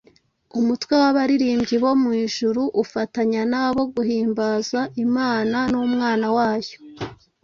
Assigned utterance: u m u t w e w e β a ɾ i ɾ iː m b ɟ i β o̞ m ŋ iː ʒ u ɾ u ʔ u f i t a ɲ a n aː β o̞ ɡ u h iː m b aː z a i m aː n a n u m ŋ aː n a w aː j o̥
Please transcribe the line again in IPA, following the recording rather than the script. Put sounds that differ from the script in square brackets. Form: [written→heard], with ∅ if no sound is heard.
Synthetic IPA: u m u t w e w [e→a] β a ɾ i ɾ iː m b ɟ i β o̞ m ŋ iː ʒ u ɾ u ʔ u f [i→a] t a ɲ a n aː β o̞ ɡ u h iː m b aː z a i m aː n a n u m ŋ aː n a w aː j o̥